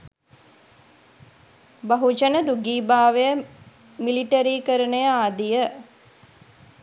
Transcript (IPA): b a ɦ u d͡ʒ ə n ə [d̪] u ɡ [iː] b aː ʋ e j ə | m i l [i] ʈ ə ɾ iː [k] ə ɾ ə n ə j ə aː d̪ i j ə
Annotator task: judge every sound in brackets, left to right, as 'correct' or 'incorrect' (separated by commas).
correct, correct, correct, correct